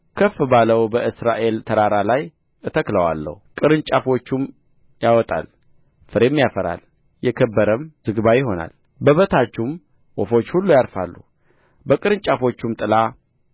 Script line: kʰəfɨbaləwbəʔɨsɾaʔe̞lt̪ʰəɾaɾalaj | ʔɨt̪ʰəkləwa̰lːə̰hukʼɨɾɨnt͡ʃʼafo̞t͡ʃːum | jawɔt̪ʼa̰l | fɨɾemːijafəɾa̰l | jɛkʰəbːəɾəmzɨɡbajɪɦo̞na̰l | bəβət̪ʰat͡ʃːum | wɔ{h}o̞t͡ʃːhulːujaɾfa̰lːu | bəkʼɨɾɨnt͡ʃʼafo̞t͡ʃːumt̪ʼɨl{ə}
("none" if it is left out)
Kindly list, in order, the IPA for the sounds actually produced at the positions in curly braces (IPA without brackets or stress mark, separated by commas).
f, a